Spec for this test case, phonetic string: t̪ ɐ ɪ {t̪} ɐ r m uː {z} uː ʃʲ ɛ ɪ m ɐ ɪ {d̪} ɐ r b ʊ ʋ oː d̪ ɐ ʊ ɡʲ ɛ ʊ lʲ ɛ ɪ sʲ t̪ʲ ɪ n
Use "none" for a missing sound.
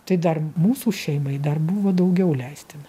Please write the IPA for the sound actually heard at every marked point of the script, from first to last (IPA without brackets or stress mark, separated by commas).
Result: d̪, s, d̪